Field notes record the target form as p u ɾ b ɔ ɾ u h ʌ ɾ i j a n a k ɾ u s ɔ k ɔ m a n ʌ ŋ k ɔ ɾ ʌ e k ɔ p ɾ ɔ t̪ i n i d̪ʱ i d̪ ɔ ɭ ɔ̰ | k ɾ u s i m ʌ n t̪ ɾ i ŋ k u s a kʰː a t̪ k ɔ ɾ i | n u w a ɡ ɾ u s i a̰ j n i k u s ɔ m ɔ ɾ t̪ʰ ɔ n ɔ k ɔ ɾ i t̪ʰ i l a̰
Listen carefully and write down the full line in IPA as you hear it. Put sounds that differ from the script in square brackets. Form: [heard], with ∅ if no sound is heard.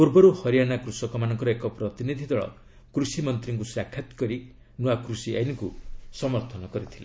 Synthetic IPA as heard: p u ɾ b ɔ ɾ u h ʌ ɾ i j a n a k ɾ u s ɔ k ɔ m a n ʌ ŋ k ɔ ɾ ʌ e k ɔ p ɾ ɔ t̪ i n i d̪ʱ i d̪ ɔ ɭ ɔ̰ | k ɾ u s i m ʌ n t̪ ɾ i ŋ k u s a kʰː a t̪ k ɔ ɾ i | n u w a [k] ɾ u s i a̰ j n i k u s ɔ m ɔ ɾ t̪ʰ ɔ n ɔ k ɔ ɾ i t̪ʰ i l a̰

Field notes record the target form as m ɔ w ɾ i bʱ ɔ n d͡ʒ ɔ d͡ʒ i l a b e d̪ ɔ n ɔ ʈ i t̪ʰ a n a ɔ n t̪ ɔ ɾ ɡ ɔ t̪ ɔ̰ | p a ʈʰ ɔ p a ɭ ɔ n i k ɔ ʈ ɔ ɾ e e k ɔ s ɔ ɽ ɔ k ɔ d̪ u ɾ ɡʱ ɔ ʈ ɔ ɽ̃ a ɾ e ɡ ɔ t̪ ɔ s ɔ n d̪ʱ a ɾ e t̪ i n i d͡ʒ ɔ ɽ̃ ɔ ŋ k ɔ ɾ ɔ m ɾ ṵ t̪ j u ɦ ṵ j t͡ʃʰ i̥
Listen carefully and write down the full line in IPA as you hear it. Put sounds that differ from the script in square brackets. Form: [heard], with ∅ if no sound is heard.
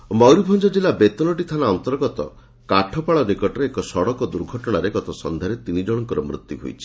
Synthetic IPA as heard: m ɔ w ɾ i bʱ ɔ n d͡ʒ ɔ d͡ʒ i l a b e [t̪] ɔ n ɔ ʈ i t̪ʰ a n a ɔ n t̪ ɔ ɾ ɡ ɔ t̪ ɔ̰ | [k] a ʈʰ ɔ p a ɭ ɔ n i k ɔ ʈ ɔ ɾ e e k ɔ s ɔ ɽ ɔ k ɔ d̪ u ɾ ɡʱ ɔ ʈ ɔ ɽ̃ a ɾ e ɡ ɔ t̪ ɔ s ɔ n d̪ʱ a ɾ e t̪ i n i d͡ʒ ɔ ɽ̃ ɔ ŋ k ɔ ɾ ɔ m ɾ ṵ t̪ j u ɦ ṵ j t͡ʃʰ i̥

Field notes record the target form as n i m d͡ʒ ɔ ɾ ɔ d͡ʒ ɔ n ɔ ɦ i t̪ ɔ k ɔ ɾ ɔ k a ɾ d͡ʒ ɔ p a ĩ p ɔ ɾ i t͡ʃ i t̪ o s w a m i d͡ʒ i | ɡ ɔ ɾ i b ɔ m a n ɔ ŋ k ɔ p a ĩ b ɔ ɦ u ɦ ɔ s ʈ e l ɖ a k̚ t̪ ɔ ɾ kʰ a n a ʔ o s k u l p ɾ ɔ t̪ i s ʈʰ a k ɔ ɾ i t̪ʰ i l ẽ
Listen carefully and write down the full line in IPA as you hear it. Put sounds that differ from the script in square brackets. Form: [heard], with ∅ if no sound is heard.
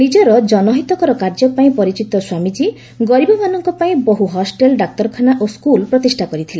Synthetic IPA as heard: n i [∅] d͡ʒ ɔ ɾ ɔ d͡ʒ ɔ n ɔ ɦ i t̪ ɔ k ɔ ɾ ɔ k a ɾ d͡ʒ ɔ p a ĩ p ɔ ɾ i t͡ʃ i t̪ [ɔ] s w a m i d͡ʒ i | ɡ ɔ ɾ i b ɔ m a n ɔ ŋ k ɔ p a ĩ b ɔ ɦ u ɦ ɔ s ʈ e l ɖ a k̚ t̪ ɔ ɾ kʰ a n a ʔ o s k u l p ɾ ɔ t̪ i s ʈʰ a k ɔ ɾ i t̪ʰ i l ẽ

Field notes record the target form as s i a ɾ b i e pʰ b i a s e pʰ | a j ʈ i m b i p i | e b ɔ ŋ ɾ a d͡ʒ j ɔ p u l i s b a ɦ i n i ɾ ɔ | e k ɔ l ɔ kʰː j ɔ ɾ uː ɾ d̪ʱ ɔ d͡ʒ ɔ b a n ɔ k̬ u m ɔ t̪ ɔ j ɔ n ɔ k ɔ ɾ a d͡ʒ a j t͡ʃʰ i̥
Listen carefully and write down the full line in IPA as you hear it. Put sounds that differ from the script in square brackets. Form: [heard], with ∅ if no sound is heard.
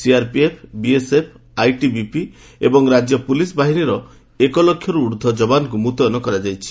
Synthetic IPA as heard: s i a ɾ [p] i e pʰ b i [e] s e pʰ | a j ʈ i [∅] b i p i | e b ɔ ŋ ɾ a d͡ʒ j ɔ p u l i s b a ɦ i n i ɾ ɔ | e k ɔ l ɔ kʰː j ɔ ɾ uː ɾ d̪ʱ ɔ d͡ʒ ɔ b a n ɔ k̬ u m [u] t̪ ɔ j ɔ n ɔ k ɔ ɾ a d͡ʒ a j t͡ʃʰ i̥

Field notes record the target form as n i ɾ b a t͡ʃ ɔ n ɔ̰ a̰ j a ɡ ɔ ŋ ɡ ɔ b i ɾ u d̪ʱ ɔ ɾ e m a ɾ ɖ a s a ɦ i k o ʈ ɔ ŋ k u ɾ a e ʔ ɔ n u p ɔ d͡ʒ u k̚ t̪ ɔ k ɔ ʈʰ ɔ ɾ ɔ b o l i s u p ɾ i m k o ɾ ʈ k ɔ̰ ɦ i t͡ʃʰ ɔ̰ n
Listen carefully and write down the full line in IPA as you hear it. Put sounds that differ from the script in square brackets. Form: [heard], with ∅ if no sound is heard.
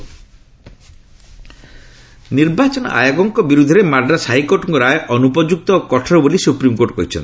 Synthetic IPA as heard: n i ɾ b a t͡ʃ ɔ n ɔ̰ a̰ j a ɡ ɔ ŋ [k] ɔ b i ɾ u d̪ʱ ɔ ɾ e m a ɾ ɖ a s a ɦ i k o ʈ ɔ ŋ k [ɔ] ɾ a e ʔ ɔ n u p ɔ d͡ʒ u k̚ t̪ ɔ k ɔ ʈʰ ɔ ɾ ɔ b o l i s u p ɾ i m k o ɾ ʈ k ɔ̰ ɦ i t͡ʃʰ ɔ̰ n

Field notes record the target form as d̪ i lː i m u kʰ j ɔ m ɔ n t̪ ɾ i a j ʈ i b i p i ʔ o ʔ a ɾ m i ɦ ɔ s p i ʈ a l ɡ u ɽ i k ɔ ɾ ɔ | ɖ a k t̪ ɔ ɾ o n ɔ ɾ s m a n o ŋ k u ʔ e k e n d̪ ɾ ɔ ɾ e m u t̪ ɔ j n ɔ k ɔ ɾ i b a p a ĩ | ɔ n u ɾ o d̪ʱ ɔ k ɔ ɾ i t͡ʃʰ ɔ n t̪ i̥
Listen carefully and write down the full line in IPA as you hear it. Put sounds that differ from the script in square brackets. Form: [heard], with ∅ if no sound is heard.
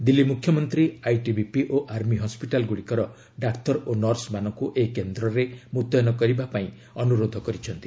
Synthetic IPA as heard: d̪ i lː i m u kʰ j ɔ m ɔ n t̪ ɾ i a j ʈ i b i p i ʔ o ʔ a ɾ m i ɦ ɔ s p i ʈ a l ɡ u ɽ i k ɔ ɾ ɔ | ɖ a k t̪ ɔ ɾ o n ɔ ɾ s m a n [ɔ] ŋ k u ʔ e k e n d̪ ɾ ɔ ɾ e m u t̪ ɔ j n ɔ k ɔ ɾ i b a p a ĩ | ɔ n u ɾ o d̪ʱ ɔ k ɔ ɾ i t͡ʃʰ ɔ n t̪ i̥

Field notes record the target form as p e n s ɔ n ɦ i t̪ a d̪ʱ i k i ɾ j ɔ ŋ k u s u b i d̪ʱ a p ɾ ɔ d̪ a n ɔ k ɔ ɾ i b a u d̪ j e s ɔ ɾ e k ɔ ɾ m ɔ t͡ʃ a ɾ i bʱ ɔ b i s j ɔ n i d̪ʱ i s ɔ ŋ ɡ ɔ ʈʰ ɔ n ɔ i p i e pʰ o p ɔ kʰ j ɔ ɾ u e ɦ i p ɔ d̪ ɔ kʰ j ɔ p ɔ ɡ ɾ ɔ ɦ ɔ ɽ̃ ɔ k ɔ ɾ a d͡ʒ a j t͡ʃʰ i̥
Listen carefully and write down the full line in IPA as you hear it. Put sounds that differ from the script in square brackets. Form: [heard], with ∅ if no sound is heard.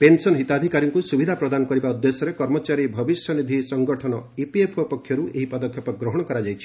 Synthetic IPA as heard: p e n s ɔ n ɦ i t̪ a d̪ʱ i k [a] ɾ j ɔ ŋ k u s u b i d̪ʱ a p ɾ ɔ d̪ a n ɔ k ɔ ɾ i b a u d̪ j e s ɔ ɾ e k ɔ ɾ m ɔ t͡ʃ a ɾ i bʱ ɔ b i s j ɔ n i d̪ʱ i s ɔ ŋ ɡ ɔ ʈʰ ɔ n ɔ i p i e pʰ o p ɔ kʰ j ɔ ɾ u e ɦ i p ɔ d̪ ɔ kʰ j ɔ p ɔ ɡ ɾ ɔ ɦ ɔ ɽ̃ ɔ k ɔ ɾ a d͡ʒ a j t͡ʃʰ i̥

